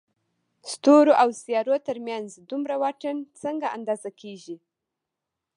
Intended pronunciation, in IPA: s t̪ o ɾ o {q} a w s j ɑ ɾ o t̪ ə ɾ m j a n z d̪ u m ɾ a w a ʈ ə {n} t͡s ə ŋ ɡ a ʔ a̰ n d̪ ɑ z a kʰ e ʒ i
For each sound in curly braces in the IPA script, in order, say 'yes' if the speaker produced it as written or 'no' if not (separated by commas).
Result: no, yes